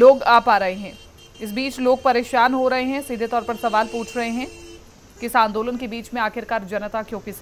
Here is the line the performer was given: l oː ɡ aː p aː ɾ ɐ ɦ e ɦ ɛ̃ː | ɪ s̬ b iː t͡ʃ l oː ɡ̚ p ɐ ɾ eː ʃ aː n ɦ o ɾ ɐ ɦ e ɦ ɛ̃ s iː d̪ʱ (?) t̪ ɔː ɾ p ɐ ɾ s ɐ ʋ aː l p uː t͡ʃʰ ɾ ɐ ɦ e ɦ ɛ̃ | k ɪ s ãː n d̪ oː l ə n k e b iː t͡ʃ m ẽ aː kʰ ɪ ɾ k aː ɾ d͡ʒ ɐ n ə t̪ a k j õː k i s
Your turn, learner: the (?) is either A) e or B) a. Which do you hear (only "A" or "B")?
A